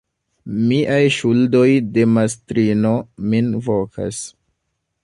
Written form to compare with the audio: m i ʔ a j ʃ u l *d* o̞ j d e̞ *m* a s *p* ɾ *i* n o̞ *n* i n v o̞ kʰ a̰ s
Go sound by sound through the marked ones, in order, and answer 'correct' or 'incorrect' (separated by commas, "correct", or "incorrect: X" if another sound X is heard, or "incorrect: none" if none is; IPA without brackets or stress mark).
correct, correct, incorrect: t, correct, incorrect: m